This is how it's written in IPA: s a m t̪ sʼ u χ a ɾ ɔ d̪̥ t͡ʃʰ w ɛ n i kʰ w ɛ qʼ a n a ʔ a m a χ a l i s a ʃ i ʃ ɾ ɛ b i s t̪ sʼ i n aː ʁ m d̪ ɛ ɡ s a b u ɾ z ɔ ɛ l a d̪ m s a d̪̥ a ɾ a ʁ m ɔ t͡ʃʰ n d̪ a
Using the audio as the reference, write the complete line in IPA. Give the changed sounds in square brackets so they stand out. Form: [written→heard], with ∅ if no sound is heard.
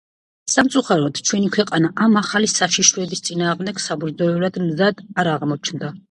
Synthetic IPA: s a m t̪ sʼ u χ a ɾ ɔ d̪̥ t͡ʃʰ w ɛ n i kʰ w ɛ qʼ a n a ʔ a m a χ a l i s a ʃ i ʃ ɾ ɛ b i s t̪ sʼ i n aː ʁ m d̪ ɛ ɡ s a b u ɾ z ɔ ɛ l a d̪ m [s→z] a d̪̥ a ɾ a ʁ m ɔ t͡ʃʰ n d̪ a